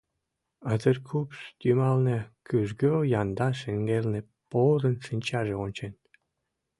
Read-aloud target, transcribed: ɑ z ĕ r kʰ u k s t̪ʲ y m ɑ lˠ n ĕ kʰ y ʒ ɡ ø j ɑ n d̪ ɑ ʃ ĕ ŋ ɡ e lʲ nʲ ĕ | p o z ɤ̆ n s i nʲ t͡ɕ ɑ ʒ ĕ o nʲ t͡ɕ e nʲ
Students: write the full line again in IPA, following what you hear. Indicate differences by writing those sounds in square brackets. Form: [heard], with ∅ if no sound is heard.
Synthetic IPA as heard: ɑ z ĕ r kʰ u [p] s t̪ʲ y m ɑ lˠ n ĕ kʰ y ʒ ɡ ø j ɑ n d̪ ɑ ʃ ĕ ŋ ɡ e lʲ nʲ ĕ | p o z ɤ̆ n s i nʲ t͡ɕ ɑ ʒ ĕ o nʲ t͡ɕ e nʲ